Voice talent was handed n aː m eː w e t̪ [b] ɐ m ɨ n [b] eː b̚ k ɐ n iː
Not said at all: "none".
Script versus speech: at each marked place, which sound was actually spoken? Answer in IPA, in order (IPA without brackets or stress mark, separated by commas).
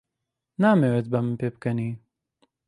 b, p